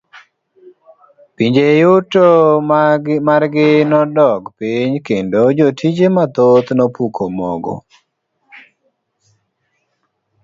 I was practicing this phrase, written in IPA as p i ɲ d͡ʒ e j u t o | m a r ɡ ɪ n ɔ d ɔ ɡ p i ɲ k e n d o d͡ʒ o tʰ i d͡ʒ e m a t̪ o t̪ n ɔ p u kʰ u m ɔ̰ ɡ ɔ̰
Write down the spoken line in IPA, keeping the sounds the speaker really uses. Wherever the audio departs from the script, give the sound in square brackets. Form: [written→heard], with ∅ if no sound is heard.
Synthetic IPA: p i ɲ d͡ʒ e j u t o | m a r ɡ ɪ n ɔ d ɔ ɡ p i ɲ k e n d o d͡ʒ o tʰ i d͡ʒ e m a t̪ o t̪ n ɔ p u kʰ [u→o] m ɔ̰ ɡ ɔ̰